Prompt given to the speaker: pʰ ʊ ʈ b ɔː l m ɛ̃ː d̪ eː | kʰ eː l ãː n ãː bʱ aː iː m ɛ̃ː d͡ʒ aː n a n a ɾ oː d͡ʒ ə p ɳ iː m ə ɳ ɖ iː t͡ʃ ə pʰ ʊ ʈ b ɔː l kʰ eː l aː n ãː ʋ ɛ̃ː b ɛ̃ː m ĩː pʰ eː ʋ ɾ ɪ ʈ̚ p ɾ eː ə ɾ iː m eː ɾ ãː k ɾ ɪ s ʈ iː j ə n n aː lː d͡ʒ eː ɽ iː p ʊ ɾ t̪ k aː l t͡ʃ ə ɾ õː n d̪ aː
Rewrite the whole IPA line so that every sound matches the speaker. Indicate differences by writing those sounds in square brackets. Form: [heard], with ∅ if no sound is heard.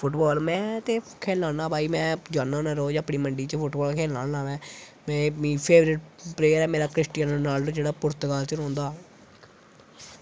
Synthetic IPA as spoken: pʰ ʊ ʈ b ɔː l m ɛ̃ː [t̪] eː | kʰ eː l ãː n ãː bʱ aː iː m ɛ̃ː d͡ʒ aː n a n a ɾ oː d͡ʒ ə p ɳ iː m ə ɳ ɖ iː t͡ʃ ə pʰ ʊ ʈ b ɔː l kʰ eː l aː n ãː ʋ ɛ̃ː [m] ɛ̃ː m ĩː pʰ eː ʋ ɾ ɪ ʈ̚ p ɾ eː ə ɾ [ɛː] m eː ɾ [aː] k ɾ ɪ s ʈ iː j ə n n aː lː d͡ʒ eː ɽ [aː] p ʊ ɾ t̪ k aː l t͡ʃ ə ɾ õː n d̪ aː